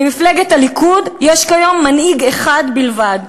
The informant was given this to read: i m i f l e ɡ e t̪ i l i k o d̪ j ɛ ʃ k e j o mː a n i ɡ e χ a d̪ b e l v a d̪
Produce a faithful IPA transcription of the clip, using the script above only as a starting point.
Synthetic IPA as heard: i m i f l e ɡ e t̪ a l i k u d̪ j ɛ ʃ k a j o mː a n i ɡ e χ a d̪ b i l v a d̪